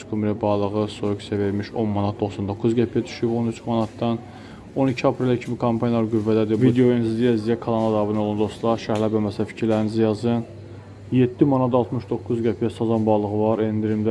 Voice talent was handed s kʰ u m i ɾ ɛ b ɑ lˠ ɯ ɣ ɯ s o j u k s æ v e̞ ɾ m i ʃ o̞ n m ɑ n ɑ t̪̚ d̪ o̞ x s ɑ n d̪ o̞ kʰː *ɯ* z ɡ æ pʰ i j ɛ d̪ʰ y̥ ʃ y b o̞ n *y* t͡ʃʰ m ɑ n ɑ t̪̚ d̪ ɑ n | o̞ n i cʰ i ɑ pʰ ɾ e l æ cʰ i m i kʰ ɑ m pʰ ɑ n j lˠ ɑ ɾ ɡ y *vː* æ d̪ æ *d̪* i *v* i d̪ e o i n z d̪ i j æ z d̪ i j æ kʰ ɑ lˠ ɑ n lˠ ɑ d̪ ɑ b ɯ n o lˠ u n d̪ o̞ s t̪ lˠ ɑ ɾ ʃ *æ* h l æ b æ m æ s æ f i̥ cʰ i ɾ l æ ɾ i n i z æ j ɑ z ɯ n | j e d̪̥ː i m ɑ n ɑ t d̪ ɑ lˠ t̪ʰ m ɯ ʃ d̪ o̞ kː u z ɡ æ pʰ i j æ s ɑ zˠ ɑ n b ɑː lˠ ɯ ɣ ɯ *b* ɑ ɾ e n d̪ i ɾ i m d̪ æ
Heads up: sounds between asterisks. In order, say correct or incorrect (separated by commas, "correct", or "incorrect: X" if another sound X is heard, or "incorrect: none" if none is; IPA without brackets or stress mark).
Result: incorrect: u, correct, correct, correct, correct, correct, incorrect: v